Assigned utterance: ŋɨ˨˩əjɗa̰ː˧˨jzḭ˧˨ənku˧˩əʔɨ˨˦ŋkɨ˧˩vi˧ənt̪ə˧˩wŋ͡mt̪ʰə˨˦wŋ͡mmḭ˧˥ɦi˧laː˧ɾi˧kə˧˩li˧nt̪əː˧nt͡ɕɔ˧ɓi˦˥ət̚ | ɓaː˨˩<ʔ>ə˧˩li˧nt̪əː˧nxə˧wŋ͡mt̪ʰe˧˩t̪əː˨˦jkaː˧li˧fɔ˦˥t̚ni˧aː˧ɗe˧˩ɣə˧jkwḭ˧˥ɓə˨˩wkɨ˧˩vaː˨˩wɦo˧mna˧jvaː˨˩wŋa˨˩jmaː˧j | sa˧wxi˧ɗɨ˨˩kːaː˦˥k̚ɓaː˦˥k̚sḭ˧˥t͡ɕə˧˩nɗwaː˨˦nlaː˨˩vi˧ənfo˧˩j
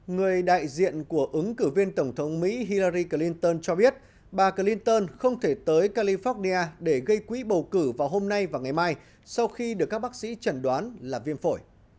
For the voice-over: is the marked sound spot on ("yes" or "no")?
no